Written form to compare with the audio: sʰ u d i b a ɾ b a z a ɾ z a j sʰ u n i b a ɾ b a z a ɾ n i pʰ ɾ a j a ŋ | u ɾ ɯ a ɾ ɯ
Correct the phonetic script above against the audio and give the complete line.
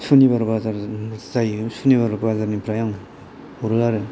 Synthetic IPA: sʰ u n i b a ɾ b a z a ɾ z a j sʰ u n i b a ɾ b a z a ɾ n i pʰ ɾ a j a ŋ | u ɾ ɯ a ɾ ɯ